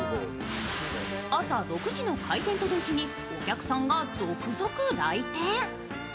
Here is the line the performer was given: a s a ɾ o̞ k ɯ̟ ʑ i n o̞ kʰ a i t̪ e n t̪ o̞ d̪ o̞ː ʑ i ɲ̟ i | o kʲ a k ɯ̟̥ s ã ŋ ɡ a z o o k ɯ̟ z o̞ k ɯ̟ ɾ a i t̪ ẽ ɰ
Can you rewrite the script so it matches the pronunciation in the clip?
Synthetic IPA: a s a ɾ o̞ k ɯ̟ ʑ i n o̞ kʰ a i t̪ ẽ n t̪ o̞ d̪ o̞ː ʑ i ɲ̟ i | o kʲ a k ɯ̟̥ s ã ŋ ɡ a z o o k ɯ̟ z o̞ k ɯ̟ ɾ a i t̪ ẽ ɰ